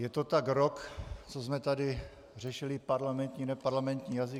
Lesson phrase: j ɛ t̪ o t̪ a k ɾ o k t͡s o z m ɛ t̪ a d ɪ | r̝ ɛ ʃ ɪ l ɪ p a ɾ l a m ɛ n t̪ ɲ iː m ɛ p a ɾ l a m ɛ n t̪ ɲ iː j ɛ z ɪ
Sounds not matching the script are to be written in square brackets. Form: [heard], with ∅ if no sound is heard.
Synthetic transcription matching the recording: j ɛ t̪ o t̪ a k ɾ o k t͡s o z m ɛ t̪ a d ɪ | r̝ ɛ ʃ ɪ l ɪ p a ɾ l a m ɛ n t̪ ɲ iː [n] ɛ p a ɾ l a m ɛ n t̪ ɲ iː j [a] z ɪ